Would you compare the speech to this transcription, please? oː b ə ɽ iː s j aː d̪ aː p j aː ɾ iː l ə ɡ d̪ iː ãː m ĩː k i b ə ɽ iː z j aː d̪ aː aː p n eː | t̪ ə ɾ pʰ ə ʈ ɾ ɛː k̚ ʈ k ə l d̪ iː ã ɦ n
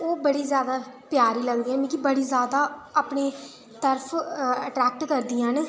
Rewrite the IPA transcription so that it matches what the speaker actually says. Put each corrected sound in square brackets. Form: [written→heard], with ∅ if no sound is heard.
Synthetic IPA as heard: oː b ə ɽ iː [s→z] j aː d̪ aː p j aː ɾ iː l ə ɡ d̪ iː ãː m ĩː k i b ə ɽ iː z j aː d̪ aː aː p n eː | t̪ ə ɾ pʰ ə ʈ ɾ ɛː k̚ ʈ k ə [l→ɾ] d̪ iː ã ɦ n